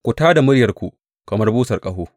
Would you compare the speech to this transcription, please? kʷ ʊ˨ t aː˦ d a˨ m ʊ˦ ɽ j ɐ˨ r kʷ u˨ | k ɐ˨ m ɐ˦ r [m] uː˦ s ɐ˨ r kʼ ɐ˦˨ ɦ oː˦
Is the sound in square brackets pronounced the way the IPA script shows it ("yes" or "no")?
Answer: no